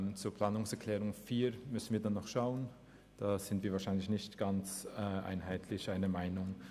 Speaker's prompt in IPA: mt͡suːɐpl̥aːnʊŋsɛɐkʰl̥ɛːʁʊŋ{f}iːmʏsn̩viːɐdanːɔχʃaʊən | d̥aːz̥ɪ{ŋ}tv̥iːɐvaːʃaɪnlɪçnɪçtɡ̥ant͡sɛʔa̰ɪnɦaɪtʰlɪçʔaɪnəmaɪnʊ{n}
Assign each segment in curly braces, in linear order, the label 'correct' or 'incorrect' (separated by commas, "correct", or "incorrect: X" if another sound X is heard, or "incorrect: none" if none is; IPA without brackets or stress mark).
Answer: correct, incorrect: n, incorrect: ŋ